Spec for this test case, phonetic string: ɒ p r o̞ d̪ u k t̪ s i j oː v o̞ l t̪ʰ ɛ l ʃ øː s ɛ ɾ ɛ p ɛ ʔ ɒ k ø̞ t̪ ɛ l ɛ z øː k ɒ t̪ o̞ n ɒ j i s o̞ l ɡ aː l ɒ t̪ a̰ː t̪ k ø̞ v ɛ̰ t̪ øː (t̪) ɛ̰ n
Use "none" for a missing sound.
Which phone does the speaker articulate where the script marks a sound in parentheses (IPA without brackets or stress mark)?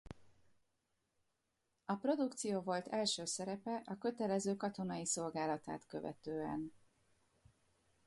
none